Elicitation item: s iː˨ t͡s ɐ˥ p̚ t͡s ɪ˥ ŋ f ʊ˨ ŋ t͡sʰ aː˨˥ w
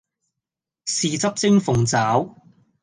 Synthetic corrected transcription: s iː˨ t͡s ɐ˥ p̚ t͡s ɪ˥ ŋ f ʊ˨ ŋ t͡s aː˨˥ w